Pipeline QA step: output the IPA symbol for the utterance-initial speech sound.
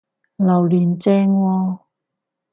l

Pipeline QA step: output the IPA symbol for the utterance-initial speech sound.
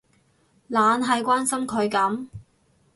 l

